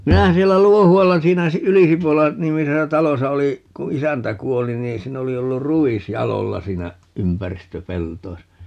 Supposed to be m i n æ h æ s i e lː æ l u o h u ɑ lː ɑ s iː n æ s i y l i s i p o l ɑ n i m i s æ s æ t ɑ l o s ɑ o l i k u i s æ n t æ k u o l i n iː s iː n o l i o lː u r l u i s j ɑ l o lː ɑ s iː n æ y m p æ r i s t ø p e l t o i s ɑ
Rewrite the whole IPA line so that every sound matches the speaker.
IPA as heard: m i n æ h æ s i e lː æ l u o h u ɑ lː ɑ s iː n æ s i y l i s i p o l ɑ n i m i s e s æ t ɑ l o s ɑ o l i k u i s æ n t æ k u o l i n iː s iː n o l i o lː u r r u i s j ɑ l o lː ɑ s iː n æ y m p æ r i s t ø p e l t o i s ɑ